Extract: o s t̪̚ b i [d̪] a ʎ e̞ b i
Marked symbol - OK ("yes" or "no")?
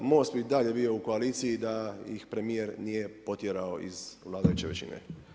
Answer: yes